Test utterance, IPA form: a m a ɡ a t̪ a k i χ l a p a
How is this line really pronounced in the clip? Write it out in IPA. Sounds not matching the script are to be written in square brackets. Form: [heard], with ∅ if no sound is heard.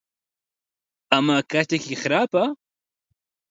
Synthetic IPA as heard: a m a [k] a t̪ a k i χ [ɾ] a p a